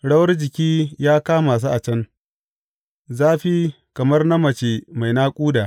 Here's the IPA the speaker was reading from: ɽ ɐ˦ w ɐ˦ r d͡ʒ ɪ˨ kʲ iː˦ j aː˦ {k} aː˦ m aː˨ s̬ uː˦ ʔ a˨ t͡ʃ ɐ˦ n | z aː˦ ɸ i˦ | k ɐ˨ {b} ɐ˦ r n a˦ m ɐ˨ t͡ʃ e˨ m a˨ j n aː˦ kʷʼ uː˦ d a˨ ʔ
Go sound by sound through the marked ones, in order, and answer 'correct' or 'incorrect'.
correct, incorrect: m

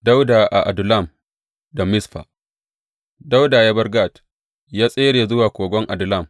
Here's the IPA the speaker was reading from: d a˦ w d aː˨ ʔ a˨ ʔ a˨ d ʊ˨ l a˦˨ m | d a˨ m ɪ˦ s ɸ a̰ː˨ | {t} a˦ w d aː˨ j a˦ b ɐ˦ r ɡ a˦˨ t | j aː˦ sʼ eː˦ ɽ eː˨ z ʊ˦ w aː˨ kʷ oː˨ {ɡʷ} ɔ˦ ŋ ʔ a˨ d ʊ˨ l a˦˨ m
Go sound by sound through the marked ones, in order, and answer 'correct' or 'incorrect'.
incorrect: d, correct

